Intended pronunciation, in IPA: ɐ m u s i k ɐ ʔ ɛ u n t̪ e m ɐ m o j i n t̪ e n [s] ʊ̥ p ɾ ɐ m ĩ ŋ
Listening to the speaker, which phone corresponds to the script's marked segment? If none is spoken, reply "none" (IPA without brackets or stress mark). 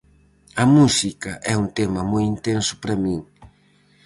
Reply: s